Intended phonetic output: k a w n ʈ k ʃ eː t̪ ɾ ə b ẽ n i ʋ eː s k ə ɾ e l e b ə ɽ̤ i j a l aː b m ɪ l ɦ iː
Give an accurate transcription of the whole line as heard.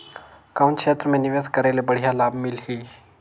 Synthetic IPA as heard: k a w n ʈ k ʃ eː t̪ ɾ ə m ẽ n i ʋ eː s k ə ɾ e l e b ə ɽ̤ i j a l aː b m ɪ l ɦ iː